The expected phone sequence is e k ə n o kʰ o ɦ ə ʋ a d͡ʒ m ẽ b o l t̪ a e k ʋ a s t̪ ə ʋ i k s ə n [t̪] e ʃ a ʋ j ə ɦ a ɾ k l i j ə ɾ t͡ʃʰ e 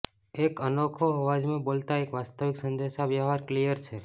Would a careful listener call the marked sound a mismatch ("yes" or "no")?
yes